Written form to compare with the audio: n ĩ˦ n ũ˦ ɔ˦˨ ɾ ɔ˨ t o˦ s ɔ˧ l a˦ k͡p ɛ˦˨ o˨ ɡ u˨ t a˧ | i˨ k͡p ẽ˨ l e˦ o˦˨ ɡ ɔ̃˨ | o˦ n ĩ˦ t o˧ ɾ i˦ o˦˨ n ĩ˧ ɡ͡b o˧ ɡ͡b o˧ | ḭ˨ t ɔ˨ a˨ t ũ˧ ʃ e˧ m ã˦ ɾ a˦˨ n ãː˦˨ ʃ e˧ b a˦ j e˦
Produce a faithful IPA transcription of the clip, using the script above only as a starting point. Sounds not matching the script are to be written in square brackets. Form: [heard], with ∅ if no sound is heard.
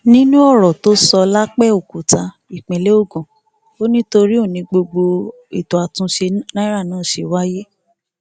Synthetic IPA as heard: n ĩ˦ n ũ˦ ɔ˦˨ ɾ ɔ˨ t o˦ s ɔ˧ l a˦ k͡p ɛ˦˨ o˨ [k] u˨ t a˧ | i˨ k͡p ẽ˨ l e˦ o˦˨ ɡ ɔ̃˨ | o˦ n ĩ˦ t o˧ ɾ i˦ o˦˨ n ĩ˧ ɡ͡b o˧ ɡ͡b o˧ | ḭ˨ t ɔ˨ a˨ t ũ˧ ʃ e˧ [n] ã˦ ɾ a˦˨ n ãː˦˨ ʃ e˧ [w] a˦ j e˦